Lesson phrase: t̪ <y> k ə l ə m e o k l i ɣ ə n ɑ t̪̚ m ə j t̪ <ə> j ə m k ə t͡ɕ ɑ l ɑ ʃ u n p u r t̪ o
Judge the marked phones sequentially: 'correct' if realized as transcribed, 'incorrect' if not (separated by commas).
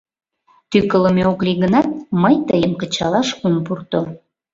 correct, correct